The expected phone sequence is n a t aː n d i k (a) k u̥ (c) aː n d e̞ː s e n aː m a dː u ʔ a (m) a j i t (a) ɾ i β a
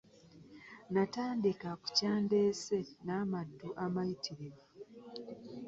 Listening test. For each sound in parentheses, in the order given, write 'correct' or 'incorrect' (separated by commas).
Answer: correct, correct, correct, incorrect